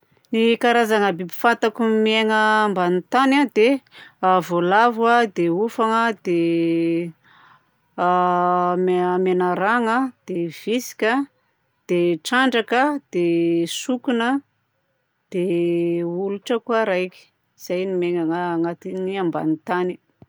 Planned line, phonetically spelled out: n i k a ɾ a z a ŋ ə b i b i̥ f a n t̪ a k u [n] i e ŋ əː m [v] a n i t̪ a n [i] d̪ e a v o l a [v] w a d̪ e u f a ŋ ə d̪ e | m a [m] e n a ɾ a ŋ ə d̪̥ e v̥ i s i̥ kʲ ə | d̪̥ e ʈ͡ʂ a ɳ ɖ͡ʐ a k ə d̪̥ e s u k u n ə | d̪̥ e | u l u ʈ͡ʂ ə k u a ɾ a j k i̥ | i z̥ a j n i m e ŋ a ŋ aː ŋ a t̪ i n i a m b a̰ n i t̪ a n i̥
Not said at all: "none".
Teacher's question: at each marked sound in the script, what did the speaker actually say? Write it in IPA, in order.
m, b, a, v, m

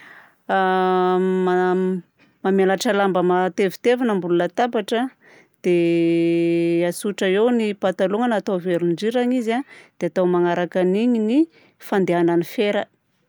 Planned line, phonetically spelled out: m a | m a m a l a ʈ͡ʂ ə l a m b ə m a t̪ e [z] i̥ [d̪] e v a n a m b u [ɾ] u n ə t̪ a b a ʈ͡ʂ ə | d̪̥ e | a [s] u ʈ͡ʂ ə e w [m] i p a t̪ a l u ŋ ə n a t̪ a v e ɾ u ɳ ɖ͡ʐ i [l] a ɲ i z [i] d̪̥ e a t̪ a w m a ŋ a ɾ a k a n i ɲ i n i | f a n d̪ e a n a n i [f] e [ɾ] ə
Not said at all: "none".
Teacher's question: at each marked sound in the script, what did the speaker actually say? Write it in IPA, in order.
v, t̪, l, s, n, ɾ, a, f, ɾ

